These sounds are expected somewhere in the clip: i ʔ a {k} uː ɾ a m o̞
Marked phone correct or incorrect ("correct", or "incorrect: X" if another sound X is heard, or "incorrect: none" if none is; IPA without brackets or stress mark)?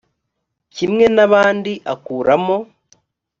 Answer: correct